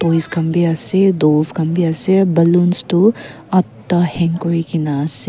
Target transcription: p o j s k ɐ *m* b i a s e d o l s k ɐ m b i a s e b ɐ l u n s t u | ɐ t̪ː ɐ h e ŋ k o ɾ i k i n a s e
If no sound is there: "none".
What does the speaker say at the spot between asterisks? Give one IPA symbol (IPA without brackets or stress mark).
m